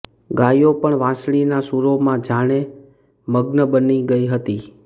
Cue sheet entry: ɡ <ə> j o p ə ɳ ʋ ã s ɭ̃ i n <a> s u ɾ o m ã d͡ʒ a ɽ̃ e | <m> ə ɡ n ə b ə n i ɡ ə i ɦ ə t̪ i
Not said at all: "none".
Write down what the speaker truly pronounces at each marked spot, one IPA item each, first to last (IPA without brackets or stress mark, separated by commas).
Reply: a, a, m